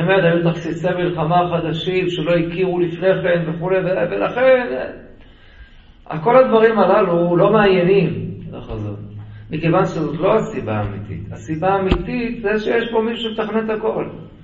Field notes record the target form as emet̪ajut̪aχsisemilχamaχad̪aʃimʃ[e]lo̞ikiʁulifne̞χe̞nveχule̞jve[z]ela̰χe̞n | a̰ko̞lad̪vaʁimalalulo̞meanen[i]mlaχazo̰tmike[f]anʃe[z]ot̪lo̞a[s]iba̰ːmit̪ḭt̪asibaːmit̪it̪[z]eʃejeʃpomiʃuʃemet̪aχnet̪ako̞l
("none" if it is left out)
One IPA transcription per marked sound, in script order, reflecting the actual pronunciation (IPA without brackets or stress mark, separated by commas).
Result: e, v, i, v, z, s, z